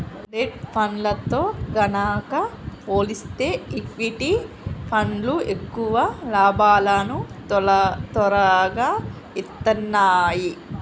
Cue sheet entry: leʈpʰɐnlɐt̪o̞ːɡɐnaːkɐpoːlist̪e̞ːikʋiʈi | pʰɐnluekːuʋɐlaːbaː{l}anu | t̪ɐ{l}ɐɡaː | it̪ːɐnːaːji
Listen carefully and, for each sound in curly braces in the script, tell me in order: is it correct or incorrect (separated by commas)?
correct, incorrect